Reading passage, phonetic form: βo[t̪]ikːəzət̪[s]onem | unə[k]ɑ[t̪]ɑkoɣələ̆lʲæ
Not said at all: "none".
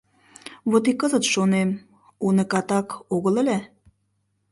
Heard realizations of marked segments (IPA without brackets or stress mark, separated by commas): t̪, ʃ, k, t̪